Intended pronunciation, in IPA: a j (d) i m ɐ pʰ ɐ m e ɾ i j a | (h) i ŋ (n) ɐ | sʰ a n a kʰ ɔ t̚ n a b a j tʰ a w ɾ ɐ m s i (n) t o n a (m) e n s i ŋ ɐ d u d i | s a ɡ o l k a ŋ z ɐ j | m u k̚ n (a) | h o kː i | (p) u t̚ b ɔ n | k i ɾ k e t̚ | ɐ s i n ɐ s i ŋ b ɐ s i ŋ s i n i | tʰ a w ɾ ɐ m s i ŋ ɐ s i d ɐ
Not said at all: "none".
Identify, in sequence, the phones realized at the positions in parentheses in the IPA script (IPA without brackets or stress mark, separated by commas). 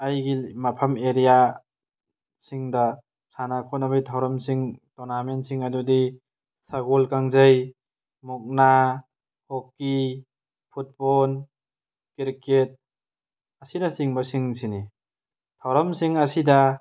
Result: ɡ, s, d, ŋ, m, a, pʰ